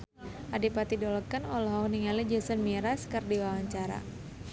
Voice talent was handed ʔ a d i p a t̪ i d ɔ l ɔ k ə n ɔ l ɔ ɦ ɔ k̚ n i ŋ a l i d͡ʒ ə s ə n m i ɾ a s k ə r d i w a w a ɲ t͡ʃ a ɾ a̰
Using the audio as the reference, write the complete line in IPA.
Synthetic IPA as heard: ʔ a d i p a t̪ i d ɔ l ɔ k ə n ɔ l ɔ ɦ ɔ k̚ n i ŋ a l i d͡ʒ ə s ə n m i ɾ a s k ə r d i w a w a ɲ t͡ʃ a ɾ a̰